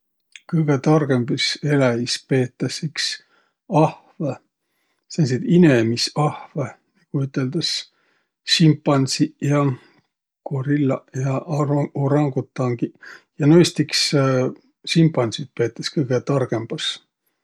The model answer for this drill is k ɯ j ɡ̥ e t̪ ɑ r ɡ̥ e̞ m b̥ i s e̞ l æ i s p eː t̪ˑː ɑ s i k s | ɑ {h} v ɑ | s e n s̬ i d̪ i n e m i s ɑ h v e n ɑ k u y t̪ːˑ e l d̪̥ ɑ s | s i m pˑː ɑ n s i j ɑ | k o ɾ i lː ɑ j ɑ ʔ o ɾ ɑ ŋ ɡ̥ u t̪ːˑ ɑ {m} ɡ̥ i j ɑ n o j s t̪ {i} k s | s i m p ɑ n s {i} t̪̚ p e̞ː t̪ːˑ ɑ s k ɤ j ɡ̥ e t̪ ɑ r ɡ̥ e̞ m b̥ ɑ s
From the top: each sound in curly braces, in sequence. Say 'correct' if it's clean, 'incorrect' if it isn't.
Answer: correct, incorrect: ŋ, correct, correct

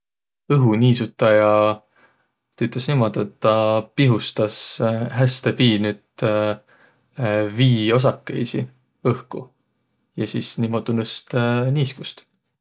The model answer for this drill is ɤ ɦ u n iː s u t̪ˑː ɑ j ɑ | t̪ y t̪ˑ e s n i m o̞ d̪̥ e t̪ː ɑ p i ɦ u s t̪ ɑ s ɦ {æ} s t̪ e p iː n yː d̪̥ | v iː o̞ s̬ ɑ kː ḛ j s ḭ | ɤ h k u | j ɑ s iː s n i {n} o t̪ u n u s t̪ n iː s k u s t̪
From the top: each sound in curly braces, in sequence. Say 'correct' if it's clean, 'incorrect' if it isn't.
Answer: correct, incorrect: m

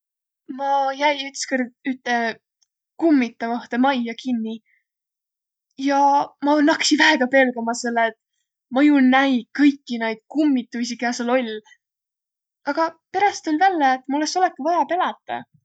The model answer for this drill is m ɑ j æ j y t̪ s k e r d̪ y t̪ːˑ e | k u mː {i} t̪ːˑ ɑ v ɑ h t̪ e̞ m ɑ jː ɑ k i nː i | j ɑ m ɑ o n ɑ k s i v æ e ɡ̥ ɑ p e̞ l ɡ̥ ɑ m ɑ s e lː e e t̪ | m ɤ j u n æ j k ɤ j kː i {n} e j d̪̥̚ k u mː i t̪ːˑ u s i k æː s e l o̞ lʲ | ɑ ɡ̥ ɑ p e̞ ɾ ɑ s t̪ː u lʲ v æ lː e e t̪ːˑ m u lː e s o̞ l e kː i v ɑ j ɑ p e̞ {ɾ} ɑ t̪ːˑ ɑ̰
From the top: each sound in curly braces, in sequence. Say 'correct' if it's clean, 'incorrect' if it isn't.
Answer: correct, correct, incorrect: l

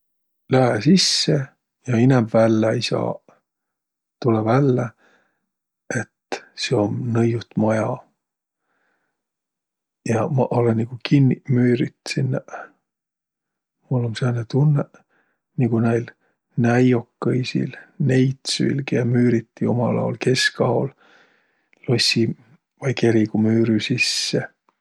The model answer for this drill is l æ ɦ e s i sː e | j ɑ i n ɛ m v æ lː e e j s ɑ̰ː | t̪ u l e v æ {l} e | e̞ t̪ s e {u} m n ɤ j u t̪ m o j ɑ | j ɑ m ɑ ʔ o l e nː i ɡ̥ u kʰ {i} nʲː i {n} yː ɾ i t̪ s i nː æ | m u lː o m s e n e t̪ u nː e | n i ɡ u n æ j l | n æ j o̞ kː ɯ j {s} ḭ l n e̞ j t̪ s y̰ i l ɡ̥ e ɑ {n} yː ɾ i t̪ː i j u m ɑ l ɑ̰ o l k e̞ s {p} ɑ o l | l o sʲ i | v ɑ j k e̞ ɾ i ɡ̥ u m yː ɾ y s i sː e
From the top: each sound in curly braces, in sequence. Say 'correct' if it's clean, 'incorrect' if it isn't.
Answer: incorrect: lː, incorrect: o, correct, incorrect: m, correct, incorrect: m, incorrect: k

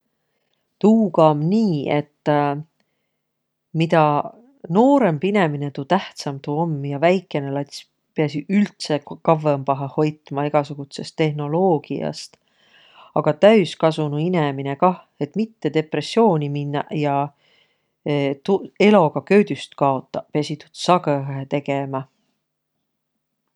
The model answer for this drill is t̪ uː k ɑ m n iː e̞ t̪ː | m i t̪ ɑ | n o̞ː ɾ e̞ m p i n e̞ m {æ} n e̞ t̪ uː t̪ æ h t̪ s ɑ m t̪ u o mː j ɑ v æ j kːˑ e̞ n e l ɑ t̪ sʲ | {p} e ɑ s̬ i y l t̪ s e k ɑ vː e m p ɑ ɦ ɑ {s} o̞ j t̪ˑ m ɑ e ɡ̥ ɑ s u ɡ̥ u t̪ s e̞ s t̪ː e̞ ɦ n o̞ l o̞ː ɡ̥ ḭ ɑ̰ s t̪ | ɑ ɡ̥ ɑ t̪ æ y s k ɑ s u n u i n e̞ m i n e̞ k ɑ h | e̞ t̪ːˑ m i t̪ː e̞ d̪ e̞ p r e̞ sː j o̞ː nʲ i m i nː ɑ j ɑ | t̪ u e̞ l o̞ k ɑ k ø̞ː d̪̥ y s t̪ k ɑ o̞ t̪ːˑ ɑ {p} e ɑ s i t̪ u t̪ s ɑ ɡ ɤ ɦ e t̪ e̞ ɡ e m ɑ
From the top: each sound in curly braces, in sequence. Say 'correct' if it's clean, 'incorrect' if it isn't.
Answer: incorrect: i, correct, incorrect: h, correct

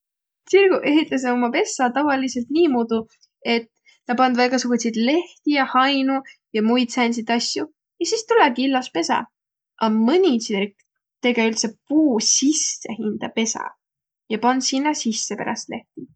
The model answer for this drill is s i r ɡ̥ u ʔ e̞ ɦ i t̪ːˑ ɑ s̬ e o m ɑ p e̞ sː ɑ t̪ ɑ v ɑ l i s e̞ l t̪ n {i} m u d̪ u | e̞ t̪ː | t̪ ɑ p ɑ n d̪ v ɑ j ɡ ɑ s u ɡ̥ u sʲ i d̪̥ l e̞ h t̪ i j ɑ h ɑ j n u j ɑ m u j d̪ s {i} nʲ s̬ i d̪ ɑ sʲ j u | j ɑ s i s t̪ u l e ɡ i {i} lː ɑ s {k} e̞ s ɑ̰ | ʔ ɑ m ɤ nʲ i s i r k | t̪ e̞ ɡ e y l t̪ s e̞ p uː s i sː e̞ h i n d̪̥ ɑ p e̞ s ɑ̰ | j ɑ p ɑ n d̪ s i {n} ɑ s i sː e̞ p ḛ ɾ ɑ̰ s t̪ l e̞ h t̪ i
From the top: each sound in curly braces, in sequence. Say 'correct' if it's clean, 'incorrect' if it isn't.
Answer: incorrect: iː, incorrect: æ, correct, incorrect: p, incorrect: nː

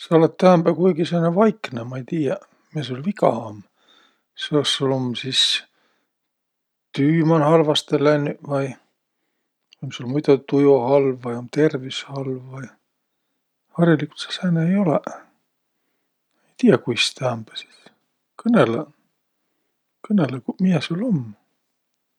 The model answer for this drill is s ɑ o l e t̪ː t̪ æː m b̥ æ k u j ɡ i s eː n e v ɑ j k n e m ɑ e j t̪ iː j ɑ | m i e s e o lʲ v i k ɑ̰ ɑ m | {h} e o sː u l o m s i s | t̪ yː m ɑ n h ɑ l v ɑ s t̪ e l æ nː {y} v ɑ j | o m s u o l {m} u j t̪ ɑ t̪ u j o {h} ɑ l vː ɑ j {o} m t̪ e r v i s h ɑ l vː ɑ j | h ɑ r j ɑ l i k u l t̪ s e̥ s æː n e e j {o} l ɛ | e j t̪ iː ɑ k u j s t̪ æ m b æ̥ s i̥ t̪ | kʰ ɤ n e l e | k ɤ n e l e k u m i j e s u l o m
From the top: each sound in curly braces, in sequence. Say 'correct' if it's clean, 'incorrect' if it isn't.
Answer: incorrect: s, correct, correct, correct, correct, correct

